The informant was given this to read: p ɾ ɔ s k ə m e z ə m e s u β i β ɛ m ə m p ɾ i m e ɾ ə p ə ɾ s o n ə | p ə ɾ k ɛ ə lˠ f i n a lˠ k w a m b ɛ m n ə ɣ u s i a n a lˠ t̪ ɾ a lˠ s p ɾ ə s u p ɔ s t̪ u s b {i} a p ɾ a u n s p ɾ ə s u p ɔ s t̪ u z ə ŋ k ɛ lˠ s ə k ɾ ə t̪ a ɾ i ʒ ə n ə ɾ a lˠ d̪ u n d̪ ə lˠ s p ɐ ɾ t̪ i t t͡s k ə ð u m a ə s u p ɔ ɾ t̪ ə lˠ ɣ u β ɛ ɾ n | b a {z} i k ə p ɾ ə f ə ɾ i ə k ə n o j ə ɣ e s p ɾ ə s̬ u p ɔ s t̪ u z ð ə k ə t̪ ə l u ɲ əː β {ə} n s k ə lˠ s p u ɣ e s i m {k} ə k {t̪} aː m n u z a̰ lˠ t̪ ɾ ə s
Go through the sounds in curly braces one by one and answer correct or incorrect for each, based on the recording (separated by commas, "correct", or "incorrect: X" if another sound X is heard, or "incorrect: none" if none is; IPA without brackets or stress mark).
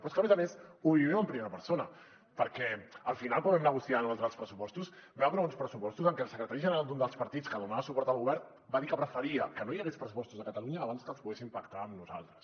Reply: incorrect: ɛ, incorrect: ð, incorrect: a, incorrect: p, correct